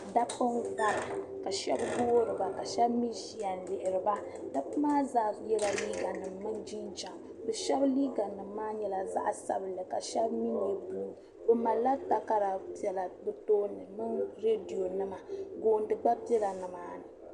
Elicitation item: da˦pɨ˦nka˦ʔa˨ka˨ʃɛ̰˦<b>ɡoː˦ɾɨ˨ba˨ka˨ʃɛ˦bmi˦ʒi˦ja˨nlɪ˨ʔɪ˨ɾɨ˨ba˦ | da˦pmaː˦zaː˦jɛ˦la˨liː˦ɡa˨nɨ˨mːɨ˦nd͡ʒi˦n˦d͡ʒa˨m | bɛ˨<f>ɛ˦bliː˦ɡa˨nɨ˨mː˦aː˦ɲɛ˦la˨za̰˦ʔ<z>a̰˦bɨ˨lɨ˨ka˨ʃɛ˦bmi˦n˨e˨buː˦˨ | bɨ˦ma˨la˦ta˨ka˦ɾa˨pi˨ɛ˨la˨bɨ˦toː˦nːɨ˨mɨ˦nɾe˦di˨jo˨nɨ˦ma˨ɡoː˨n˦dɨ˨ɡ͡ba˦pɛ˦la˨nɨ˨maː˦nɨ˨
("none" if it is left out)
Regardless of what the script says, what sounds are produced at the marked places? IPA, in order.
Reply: b, ʃ, s

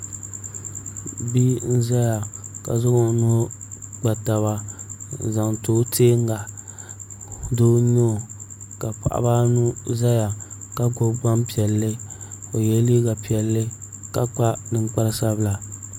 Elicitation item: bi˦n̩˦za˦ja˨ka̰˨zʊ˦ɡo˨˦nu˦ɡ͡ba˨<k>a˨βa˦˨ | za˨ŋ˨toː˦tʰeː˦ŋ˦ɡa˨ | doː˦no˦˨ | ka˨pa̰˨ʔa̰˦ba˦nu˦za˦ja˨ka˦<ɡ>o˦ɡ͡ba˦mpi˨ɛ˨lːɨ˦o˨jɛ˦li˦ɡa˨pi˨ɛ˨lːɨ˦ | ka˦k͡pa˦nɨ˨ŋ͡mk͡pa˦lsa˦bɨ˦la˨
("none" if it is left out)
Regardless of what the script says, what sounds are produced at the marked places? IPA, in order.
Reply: t, ɡ

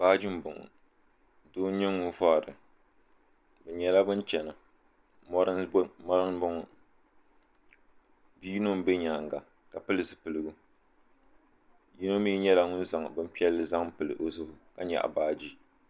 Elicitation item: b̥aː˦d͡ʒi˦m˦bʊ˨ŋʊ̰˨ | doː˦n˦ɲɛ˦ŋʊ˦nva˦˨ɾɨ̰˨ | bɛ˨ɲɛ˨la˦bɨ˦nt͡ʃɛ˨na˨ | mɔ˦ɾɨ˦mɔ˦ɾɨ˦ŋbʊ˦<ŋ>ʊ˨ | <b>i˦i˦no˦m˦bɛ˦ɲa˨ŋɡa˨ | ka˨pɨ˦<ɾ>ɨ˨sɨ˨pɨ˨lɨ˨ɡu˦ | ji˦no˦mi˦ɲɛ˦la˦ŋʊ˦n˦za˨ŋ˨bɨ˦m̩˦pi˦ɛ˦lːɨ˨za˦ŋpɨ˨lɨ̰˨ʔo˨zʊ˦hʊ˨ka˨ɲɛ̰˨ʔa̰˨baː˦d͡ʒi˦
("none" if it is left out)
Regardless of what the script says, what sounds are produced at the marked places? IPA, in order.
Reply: ŋ, b, l

